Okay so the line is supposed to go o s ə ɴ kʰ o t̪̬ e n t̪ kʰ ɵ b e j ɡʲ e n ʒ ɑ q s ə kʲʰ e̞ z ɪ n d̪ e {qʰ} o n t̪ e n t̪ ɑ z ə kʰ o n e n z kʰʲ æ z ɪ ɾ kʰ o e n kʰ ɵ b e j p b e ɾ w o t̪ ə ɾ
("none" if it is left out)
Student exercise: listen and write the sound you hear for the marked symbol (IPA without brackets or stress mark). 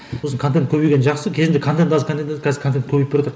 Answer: kʰ